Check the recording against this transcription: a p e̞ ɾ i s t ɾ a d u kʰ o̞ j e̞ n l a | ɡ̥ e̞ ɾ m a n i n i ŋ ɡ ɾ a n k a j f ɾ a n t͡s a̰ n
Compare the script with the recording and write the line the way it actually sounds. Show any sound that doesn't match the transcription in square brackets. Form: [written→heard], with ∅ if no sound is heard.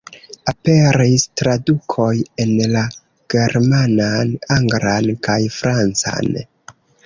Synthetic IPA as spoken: a p e̞ ɾ i s t ɾ a d u kʰ o̞ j e̞ n l a | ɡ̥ e̞ ɾ m a n [i→a] n [i→a] ŋ ɡ ɾ a n k a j f ɾ a n t͡s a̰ n